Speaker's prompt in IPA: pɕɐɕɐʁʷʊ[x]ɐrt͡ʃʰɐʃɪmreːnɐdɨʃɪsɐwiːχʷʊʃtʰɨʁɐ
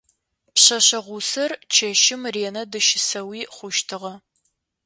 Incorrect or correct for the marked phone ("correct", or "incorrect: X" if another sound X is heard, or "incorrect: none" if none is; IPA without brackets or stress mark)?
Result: incorrect: s